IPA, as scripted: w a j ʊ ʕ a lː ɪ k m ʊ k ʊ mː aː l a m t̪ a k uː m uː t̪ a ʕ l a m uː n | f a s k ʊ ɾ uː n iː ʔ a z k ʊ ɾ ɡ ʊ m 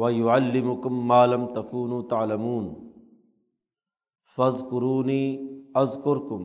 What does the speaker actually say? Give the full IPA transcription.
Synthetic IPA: w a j ʊ ʕ a lː ɪ m ʊ k ʊ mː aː l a m t̪ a k uː n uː t̪ a ʕ l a m uː n | f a z k ʊ ɾ uː n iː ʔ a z k ʊ ɾ k ʊ m